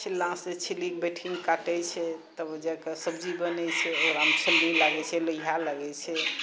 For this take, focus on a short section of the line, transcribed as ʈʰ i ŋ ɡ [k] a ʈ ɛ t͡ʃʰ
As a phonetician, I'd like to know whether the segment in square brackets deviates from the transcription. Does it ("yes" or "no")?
no